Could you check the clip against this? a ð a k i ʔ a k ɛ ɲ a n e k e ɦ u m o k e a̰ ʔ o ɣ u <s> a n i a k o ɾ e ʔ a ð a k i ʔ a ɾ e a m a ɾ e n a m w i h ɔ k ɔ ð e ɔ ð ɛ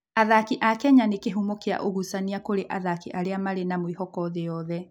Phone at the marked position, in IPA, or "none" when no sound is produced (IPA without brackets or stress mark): s